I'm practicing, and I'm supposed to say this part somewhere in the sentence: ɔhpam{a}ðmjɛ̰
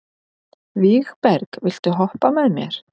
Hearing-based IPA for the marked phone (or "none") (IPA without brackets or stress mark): ɛ